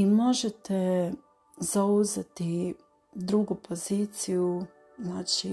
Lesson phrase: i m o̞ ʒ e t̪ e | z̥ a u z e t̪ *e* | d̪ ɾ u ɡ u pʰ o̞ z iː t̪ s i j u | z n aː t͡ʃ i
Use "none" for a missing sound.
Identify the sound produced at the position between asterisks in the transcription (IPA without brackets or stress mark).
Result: i